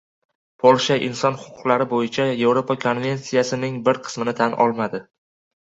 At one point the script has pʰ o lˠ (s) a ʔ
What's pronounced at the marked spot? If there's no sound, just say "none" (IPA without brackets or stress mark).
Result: ʃ